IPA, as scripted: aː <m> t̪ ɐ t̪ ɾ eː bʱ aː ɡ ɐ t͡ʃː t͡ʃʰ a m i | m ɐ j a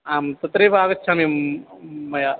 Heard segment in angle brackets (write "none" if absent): m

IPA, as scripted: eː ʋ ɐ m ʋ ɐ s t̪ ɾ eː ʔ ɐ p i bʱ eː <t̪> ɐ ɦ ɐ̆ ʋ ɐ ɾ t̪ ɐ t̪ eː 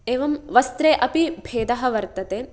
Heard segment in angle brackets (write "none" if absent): d̪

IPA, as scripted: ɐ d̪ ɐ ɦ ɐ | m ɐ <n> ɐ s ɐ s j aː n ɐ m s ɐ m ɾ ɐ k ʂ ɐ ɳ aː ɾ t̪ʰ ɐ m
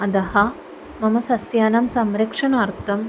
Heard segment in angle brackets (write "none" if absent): m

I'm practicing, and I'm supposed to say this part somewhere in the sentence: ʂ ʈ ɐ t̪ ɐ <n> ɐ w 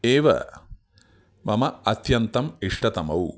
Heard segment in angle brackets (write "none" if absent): m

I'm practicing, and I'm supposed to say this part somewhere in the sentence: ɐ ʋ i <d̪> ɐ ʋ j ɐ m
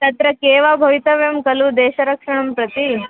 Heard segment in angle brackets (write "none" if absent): t̪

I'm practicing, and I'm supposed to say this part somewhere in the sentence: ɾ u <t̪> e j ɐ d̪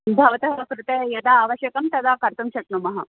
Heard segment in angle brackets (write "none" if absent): t̪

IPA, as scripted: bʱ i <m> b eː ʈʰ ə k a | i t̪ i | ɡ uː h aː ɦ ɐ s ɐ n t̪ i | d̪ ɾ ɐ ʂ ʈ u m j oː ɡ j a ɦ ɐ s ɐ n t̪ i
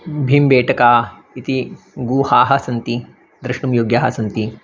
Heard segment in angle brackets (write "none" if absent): m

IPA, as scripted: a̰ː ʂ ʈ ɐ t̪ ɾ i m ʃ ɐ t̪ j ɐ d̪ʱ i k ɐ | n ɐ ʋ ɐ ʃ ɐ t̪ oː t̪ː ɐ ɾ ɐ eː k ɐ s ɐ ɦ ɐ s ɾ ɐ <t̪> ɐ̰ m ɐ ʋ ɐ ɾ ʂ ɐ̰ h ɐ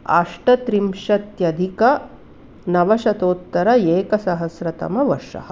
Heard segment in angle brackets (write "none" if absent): t̪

